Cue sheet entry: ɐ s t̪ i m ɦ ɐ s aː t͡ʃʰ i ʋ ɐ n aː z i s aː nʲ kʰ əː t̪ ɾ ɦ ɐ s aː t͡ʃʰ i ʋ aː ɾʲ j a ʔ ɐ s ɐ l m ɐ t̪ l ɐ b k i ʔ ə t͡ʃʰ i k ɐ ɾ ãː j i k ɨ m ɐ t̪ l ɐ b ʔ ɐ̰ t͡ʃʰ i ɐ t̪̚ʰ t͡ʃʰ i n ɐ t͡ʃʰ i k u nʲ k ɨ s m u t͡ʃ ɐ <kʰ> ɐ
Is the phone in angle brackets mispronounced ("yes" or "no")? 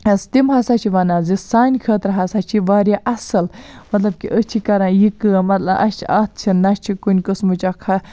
no